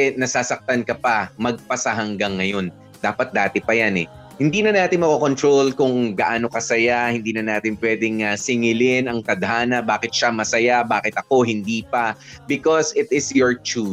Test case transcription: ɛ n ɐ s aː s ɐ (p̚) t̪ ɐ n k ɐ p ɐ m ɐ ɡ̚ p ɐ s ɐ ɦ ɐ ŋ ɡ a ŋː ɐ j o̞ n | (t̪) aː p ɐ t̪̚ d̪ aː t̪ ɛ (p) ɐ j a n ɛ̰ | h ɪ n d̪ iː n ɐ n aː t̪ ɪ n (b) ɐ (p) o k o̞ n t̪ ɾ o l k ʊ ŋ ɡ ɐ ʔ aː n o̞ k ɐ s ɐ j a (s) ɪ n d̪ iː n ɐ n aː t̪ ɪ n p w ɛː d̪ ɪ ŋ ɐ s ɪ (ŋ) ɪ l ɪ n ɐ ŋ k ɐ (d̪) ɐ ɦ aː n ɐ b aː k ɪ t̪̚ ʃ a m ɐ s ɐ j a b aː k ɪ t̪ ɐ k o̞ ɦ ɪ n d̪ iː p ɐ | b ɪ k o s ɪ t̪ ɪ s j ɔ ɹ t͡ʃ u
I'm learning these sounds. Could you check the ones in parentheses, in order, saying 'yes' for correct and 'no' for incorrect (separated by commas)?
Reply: no, no, yes, no, no, no, yes, yes